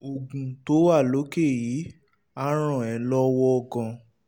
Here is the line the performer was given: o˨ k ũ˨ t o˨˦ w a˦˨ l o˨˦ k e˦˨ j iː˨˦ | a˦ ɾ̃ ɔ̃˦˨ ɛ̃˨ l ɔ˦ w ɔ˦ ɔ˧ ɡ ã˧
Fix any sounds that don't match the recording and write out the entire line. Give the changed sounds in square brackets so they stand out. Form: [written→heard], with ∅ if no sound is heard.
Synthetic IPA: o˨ [k→ɡ] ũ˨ t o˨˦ w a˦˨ l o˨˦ k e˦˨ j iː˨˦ | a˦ ɾ̃ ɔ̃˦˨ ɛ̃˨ l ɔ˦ w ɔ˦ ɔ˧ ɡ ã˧